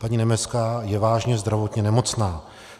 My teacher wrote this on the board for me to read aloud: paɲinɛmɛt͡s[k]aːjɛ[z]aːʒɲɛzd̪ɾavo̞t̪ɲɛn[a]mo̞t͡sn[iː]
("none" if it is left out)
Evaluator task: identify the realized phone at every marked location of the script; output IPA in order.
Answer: k, v, ɛ, aː

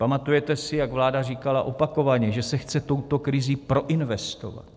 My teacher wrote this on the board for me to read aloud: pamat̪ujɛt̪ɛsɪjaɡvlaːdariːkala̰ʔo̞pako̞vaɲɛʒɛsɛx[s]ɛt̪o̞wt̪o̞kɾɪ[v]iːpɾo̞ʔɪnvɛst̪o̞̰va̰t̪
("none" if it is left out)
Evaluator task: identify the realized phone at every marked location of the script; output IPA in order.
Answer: t͡s, z

